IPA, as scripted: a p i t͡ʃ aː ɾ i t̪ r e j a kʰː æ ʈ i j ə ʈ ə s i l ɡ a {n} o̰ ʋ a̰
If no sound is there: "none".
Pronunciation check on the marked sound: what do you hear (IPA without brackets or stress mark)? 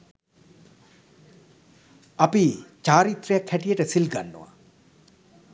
nː